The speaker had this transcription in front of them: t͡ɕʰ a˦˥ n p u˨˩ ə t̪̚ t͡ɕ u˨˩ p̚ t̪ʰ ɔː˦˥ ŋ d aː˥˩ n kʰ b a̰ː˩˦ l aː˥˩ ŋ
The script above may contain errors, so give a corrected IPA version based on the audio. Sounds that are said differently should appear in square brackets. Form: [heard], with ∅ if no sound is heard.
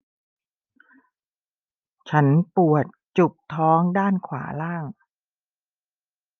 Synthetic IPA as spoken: t͡ɕʰ a˦˥ n p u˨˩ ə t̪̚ t͡ɕ u˨˩ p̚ t̪ʰ ɔː˦˥ ŋ d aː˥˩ n kʰ [w] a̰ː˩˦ l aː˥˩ ŋ